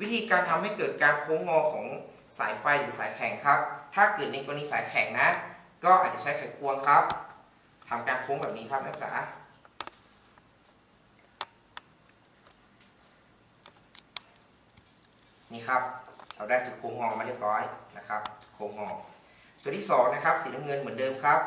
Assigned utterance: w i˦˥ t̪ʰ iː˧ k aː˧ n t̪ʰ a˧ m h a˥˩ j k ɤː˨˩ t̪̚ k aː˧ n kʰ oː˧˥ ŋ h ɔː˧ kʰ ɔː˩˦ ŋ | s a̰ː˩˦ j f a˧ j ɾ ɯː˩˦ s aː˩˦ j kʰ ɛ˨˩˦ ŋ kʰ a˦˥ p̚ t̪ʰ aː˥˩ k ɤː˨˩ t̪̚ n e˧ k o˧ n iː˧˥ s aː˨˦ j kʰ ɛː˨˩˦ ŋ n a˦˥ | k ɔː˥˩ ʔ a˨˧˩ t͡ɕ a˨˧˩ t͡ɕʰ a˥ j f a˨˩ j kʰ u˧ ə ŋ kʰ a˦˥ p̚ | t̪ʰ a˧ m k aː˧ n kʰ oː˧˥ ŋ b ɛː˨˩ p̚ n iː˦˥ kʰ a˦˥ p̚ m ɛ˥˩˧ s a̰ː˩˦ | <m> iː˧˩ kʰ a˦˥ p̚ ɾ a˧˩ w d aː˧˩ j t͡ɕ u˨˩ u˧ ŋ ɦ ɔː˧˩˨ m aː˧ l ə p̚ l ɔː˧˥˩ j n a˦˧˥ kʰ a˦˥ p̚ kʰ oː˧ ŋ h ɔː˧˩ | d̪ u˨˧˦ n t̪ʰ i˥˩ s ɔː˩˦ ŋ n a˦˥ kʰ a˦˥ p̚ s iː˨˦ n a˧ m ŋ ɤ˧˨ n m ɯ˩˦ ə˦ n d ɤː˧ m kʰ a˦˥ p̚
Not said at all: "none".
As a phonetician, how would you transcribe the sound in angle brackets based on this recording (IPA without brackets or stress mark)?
n